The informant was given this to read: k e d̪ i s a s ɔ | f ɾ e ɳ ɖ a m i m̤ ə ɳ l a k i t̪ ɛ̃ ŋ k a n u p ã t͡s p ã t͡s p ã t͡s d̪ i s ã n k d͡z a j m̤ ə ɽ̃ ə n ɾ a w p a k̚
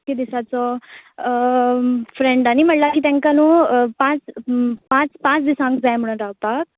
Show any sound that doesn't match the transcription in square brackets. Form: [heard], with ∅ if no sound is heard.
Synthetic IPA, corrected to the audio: k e d̪ i s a [t͡s] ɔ | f ɾ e ɳ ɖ a [n] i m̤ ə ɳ l a k i t̪ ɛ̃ ŋ k a n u p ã t͡s p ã t͡s p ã t͡s d̪ i s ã [ŋ] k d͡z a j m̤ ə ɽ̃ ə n ɾ a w p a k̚